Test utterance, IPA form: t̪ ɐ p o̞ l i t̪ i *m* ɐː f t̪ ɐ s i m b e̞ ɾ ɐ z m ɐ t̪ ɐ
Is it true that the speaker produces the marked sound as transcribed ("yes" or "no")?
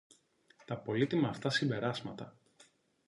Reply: yes